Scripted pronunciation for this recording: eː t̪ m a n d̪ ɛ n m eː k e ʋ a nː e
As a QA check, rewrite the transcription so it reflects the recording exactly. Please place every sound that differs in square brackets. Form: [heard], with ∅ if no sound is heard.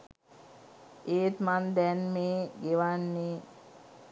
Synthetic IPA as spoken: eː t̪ m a n d̪ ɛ n m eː [ɡ] e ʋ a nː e